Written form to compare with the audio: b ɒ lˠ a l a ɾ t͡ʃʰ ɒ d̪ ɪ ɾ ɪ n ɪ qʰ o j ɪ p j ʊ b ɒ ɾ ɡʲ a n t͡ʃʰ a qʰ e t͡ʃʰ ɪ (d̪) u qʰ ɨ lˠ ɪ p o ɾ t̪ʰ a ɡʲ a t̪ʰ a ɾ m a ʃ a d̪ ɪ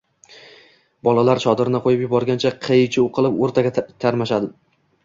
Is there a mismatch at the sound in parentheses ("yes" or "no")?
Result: yes